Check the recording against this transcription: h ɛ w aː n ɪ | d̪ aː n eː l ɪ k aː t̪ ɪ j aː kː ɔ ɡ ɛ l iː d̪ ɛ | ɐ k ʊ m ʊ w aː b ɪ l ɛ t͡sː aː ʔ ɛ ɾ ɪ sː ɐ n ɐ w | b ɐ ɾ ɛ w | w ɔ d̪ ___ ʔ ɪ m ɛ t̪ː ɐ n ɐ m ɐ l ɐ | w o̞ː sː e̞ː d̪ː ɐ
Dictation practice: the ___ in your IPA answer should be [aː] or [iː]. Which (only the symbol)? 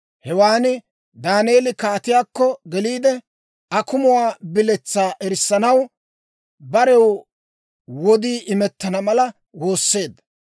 iː